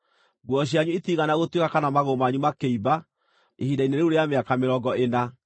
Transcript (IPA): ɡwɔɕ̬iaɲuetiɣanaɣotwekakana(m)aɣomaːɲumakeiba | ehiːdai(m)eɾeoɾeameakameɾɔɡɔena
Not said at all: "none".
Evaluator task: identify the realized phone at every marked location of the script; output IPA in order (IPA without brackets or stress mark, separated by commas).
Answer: m, n